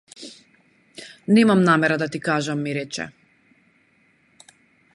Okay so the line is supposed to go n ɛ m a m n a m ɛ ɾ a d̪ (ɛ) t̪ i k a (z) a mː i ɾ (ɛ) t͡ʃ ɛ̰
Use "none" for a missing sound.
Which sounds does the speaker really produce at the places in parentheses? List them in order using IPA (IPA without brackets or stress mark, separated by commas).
a, ʒ, ɛ